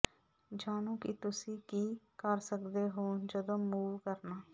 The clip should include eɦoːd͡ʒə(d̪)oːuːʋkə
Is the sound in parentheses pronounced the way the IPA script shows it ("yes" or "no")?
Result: yes